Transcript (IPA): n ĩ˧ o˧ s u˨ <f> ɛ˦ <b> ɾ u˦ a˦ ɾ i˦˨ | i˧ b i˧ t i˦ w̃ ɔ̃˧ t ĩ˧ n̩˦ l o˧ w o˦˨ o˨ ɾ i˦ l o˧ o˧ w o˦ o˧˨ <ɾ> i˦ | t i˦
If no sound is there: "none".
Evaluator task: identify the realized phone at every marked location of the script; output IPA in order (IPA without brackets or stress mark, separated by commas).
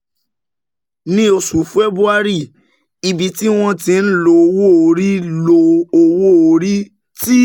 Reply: f, b, ɾ